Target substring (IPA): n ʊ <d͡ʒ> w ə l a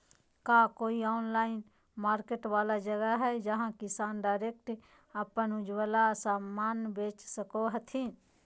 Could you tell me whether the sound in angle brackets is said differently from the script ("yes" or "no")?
no